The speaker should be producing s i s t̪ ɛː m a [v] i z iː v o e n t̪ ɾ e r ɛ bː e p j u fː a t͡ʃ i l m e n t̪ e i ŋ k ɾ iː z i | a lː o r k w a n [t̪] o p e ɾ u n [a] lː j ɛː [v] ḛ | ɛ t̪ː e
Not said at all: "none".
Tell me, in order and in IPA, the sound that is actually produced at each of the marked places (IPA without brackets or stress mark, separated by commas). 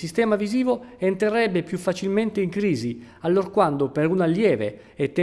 v, d̪, a, v